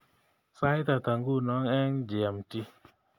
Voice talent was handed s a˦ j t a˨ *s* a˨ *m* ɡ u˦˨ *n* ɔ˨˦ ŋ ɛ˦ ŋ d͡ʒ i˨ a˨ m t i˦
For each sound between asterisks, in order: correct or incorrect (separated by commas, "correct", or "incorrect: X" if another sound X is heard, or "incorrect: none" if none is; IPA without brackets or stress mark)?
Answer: incorrect: t, incorrect: ŋ, correct